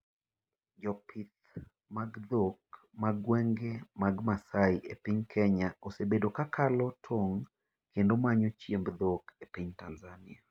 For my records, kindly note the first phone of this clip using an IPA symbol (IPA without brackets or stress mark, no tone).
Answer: d͡ʒ